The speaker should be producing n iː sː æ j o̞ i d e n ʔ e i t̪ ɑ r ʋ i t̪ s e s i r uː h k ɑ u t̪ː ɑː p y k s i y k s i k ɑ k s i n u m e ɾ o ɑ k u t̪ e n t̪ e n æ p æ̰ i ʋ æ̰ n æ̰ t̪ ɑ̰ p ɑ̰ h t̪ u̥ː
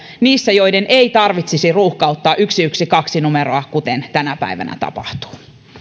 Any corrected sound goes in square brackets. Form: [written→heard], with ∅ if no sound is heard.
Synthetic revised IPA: n iː sː æ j o̞ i d e n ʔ e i t̪ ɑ r ʋ i t̪ s [e→i] s i r uː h k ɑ u t̪ː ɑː [p→ʔ] y k s i y k s i k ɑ k s i n u m e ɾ o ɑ k u t̪ e n t̪ [e→æ] n æ p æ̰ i ʋ æ̰ n æ̰ t̪ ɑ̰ p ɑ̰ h t̪ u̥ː